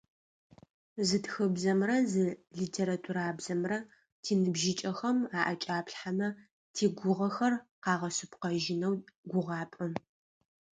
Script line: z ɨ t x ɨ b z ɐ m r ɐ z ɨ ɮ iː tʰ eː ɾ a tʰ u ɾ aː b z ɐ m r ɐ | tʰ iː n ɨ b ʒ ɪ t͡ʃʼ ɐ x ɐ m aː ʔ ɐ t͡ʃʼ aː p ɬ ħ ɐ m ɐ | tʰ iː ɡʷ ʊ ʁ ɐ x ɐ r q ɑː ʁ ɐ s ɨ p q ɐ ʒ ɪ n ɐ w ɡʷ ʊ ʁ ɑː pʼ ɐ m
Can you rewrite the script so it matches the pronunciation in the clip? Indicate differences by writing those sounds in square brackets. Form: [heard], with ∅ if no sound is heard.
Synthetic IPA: z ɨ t x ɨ b z ɐ m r ɐ z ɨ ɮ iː tʰ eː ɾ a tʰ u ɾ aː b z ɐ m r ɐ | tʰ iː n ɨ b ʒ ɪ t͡ʃʼ ɐ x ɐ m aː ʔ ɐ t͡ʃʼ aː p ɬ ħ [a] m ɐ | tʰ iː ɡʷ ʊ ʁ ɐ x ɐ r q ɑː ʁ ɐ s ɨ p q ɐ ʒ ɪ n ɐ w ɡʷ ʊ ʁ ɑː pʼ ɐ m